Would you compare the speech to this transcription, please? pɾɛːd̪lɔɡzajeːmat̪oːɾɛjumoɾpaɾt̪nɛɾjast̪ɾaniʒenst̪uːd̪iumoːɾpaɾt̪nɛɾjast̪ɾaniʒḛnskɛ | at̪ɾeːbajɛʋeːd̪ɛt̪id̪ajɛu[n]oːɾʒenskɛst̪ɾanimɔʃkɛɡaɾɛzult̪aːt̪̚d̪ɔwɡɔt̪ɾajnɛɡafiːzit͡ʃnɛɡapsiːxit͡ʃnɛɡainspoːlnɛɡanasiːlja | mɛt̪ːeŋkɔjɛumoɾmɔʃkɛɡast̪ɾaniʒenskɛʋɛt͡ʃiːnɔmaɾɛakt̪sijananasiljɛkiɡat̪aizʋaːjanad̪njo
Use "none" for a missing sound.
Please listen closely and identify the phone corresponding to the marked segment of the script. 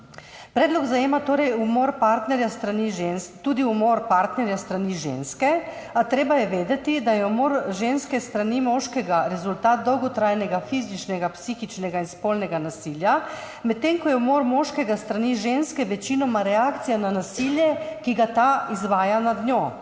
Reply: m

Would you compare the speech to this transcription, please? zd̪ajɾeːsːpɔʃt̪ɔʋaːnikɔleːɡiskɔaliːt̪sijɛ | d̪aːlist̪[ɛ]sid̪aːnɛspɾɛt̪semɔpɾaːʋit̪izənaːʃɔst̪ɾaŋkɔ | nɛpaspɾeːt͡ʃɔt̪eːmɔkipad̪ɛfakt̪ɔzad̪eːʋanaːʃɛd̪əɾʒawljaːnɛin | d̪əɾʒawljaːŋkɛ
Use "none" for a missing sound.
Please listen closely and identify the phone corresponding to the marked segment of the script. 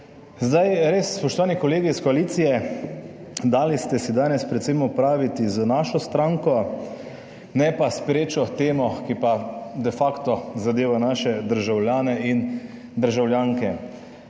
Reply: ɛ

